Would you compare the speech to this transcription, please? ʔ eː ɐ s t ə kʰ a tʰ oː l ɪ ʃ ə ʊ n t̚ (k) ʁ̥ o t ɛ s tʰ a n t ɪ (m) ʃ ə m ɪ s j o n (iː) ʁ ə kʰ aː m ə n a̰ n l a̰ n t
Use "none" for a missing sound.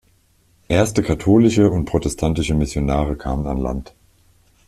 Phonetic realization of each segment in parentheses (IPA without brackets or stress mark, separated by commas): p, none, aː